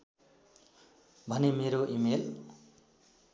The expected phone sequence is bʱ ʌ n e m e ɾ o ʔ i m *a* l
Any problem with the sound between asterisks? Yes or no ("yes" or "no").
yes